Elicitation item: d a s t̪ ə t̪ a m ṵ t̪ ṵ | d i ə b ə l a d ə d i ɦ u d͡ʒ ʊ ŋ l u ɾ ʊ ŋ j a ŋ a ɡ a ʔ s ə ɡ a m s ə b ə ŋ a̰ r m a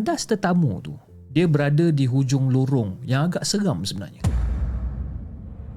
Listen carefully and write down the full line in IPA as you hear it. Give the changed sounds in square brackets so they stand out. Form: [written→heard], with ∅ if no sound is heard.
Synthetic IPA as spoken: d a s t̪ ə t̪ a m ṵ t̪ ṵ | d i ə b ə [l→ɾ] a d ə d i ɦ u d͡ʒ ʊ ŋ l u ɾ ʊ ŋ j a ŋ a ɡ a ʔ s ə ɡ a m s ə b ə [ŋ→n] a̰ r [m→ɲ] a